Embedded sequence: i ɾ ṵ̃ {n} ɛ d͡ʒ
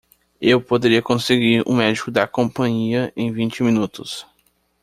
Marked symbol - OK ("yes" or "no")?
no